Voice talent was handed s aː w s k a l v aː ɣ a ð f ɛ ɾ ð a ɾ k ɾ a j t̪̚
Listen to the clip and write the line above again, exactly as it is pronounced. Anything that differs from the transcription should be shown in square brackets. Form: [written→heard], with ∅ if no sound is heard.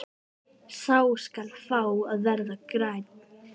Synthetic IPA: s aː w s k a l [v→f] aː [ɣ→w] a ð [f→v] ɛ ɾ ð a [ɾ→∅] k ɾ a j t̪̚